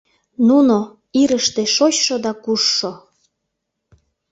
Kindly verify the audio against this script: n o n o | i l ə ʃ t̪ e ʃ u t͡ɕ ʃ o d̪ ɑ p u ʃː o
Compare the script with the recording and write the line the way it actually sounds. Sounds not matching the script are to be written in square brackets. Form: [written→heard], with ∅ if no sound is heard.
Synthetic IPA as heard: n [o→u] n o | i [l→ɾ] ə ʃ t̪ e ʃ [u→o] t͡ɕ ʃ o d̪ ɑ [p→k] u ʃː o